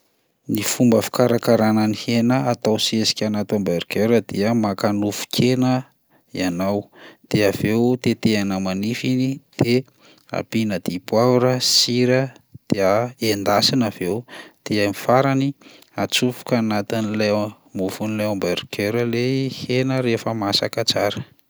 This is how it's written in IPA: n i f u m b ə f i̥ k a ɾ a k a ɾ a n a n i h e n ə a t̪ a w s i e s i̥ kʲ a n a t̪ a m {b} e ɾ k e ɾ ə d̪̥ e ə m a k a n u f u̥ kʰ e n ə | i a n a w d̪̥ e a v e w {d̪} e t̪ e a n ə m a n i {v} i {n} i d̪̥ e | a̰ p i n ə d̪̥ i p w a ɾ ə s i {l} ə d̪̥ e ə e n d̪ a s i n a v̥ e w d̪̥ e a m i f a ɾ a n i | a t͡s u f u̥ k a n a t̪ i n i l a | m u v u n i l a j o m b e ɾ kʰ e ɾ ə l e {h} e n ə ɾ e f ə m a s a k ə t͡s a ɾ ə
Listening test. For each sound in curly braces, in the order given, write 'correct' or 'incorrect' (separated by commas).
correct, incorrect, incorrect, correct, incorrect, correct